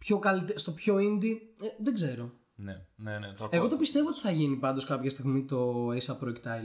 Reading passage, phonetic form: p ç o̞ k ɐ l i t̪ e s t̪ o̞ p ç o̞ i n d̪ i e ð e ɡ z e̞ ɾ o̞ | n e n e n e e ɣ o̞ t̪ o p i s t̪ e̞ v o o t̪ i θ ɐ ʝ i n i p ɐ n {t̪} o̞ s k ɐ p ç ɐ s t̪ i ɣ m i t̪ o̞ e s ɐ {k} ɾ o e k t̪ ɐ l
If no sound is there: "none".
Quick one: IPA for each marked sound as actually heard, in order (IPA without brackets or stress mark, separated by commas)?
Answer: d̪, p